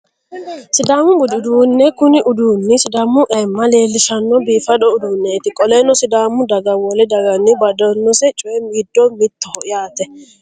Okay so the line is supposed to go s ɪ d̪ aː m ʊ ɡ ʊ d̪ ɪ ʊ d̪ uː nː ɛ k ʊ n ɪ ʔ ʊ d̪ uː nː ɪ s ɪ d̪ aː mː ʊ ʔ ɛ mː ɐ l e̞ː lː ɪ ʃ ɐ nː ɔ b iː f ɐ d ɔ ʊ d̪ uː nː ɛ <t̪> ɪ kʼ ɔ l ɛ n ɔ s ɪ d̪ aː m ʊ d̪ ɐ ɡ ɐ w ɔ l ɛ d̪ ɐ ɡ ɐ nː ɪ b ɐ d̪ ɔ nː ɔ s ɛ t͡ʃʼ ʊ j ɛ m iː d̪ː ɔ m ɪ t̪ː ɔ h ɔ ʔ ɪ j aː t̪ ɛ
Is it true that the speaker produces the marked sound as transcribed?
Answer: yes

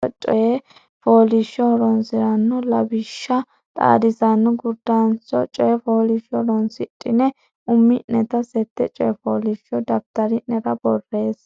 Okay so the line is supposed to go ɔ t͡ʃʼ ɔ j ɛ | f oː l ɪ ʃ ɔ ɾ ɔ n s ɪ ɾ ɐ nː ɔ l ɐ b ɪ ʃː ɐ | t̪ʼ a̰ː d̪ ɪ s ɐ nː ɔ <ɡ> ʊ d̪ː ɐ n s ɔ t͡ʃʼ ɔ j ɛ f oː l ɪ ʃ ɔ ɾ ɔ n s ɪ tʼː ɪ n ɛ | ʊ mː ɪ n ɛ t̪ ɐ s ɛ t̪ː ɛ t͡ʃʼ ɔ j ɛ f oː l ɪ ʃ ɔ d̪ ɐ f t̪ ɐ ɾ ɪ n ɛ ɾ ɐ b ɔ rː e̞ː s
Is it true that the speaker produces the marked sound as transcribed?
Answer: yes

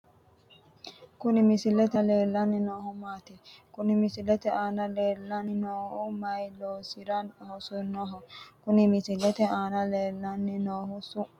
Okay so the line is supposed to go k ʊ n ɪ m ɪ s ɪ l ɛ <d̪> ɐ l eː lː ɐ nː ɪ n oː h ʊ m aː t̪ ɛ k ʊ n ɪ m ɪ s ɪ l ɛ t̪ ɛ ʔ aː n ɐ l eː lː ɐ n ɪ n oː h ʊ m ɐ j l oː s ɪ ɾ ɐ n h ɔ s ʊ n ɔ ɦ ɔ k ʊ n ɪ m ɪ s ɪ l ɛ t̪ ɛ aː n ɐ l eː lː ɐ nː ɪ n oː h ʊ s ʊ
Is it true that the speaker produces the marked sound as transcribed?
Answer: no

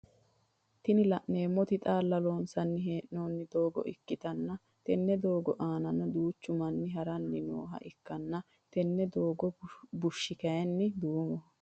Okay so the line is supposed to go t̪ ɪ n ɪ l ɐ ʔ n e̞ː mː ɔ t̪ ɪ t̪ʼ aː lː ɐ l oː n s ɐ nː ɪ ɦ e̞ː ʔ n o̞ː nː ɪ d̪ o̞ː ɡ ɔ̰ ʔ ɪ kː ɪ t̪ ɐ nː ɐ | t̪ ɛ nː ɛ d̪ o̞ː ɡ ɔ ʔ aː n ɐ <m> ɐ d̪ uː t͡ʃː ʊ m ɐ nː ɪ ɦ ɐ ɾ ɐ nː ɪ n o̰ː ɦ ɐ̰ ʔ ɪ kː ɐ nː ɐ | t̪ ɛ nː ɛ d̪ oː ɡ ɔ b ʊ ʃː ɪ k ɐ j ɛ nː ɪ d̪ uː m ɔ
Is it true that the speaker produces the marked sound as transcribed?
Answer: no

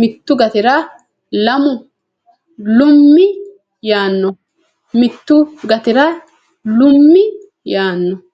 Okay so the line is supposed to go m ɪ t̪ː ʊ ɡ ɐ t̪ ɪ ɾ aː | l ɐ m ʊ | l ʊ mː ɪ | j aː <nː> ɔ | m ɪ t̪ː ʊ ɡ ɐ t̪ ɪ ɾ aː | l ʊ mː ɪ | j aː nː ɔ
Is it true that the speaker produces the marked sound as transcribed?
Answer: yes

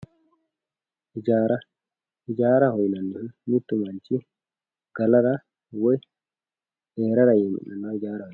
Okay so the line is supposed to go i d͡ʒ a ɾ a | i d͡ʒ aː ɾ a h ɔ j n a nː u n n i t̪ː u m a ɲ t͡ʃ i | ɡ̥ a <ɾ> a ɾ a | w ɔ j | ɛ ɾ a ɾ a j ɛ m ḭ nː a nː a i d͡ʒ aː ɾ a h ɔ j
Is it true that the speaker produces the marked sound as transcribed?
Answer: no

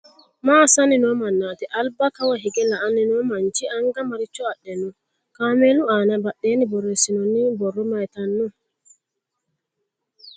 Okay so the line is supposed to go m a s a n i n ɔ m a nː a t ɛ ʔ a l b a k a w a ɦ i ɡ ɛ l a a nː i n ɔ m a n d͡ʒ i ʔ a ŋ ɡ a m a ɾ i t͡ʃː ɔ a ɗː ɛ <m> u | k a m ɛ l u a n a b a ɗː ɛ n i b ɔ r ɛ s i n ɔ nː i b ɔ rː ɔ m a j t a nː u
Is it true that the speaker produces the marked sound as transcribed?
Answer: no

